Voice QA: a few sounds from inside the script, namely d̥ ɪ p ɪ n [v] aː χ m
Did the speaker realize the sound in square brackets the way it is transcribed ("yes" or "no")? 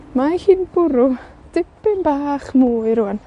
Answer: no